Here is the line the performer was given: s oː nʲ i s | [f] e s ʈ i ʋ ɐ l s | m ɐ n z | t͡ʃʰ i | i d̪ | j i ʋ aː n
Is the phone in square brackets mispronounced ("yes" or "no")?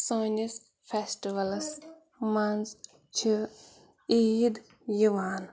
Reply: no